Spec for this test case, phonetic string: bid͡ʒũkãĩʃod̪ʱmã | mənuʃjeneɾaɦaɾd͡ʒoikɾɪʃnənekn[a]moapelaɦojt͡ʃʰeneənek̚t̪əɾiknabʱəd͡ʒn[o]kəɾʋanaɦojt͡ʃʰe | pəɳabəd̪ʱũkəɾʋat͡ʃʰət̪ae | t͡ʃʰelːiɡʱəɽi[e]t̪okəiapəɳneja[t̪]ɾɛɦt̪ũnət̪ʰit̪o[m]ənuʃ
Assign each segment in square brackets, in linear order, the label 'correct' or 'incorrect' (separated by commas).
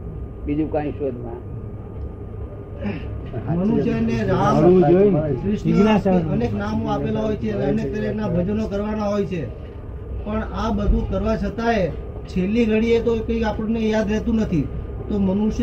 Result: correct, correct, correct, incorrect, correct